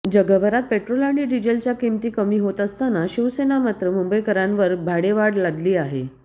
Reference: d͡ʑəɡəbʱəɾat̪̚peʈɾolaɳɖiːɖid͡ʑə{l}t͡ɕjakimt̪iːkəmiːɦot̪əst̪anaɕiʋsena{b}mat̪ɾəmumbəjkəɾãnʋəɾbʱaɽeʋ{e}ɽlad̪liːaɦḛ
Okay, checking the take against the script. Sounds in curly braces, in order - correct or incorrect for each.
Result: correct, incorrect: none, incorrect: a

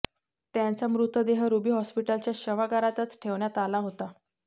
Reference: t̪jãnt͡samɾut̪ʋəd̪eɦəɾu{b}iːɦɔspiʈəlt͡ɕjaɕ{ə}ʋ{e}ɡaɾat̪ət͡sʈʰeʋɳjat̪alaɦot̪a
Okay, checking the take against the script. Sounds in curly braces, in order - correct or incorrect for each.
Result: correct, correct, incorrect: a

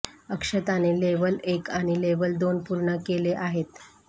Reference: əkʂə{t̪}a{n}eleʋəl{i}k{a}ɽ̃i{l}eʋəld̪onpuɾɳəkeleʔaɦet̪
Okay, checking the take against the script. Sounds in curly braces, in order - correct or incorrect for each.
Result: correct, correct, incorrect: e, correct, correct

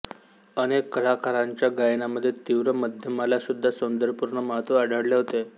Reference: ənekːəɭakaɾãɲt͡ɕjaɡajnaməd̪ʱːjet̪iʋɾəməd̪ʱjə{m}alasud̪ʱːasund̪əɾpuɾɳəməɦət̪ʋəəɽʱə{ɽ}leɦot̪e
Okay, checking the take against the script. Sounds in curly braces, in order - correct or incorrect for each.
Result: correct, correct

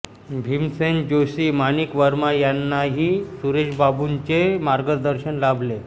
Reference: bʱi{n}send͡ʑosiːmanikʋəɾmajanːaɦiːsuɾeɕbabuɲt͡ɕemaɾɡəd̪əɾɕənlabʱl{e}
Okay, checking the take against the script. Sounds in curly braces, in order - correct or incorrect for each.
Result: incorrect: m, correct

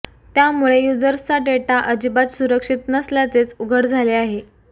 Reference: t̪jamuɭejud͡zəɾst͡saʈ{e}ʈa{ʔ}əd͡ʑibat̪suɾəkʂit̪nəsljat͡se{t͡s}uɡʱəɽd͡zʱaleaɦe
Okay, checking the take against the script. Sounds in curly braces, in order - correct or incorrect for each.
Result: correct, correct, correct

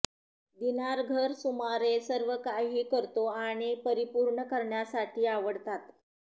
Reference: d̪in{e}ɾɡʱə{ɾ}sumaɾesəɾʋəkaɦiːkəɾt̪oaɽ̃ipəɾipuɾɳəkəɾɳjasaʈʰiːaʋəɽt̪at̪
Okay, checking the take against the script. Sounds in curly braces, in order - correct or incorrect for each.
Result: incorrect: a, correct

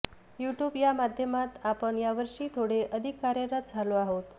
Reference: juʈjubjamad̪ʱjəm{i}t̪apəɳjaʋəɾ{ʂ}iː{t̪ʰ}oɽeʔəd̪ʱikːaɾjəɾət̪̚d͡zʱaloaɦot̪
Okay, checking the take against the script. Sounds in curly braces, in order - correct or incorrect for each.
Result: incorrect: a, correct, correct

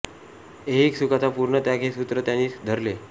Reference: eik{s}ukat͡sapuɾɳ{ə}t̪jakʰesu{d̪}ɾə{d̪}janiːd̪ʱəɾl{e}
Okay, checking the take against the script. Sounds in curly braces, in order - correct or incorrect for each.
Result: correct, correct, incorrect: t̪, incorrect: t̪, correct

